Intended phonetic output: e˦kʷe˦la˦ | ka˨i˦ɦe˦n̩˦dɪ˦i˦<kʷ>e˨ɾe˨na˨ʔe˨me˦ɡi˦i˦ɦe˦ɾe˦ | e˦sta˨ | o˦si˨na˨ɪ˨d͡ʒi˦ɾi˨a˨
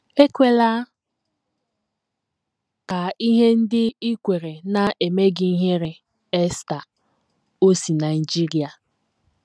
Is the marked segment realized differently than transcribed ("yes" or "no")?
no